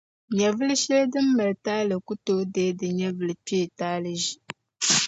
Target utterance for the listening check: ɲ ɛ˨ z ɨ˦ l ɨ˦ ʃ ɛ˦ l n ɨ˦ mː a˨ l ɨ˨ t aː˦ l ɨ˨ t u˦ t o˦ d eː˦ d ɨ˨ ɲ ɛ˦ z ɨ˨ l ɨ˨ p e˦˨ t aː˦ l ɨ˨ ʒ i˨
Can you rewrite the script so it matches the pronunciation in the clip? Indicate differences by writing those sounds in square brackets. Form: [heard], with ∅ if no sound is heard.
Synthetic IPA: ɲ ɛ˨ [v] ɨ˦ l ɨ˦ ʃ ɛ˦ l [d] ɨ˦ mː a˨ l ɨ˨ t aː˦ l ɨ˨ [k] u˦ t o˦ d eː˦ d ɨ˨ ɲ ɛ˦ [v] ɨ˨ l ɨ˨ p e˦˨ t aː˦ l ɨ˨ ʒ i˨